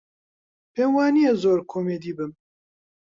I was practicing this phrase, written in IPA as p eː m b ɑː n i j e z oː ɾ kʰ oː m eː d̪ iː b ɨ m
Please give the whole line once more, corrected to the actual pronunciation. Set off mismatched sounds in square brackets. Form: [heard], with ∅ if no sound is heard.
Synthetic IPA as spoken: p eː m [w] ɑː n i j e z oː ɾ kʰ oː m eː d̪ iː b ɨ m